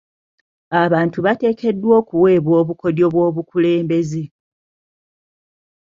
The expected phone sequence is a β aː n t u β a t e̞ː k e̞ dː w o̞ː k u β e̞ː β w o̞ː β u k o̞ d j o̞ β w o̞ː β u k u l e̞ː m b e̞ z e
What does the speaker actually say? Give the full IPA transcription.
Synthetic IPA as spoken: a β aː n t u β a t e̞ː k e̞ dː w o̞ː k u w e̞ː β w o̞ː β u k o̞ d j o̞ β w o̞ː β u k u l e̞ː m b e̞ z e